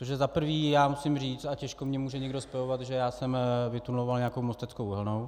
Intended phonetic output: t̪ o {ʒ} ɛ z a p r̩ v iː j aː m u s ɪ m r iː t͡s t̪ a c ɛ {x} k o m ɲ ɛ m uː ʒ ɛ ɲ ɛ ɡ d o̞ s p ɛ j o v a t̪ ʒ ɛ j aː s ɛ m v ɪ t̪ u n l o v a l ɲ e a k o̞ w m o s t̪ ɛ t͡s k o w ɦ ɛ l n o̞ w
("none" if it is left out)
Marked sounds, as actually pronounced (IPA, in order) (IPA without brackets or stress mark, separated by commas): ʒ, ʃ